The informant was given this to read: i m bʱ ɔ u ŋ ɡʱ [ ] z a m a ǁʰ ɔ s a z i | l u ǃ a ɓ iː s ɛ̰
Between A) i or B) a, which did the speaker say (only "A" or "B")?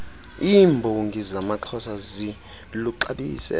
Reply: A